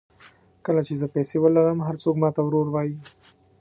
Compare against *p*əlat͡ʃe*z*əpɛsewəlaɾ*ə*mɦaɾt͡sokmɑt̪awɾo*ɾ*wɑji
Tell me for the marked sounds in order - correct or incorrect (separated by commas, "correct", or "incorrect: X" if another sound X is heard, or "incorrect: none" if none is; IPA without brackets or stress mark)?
incorrect: k, correct, correct, correct